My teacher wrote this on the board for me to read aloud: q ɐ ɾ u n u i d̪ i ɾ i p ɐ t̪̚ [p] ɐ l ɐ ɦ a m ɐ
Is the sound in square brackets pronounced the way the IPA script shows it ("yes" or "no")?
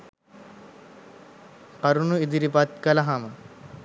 no